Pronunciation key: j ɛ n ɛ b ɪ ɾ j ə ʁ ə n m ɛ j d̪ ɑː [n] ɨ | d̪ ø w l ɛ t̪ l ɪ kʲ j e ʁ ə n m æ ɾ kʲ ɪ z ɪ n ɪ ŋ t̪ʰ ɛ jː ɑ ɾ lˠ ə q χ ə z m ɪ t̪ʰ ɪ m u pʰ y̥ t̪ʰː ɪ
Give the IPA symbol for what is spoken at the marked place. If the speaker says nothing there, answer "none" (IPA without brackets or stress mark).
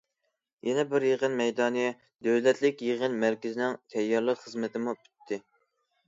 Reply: n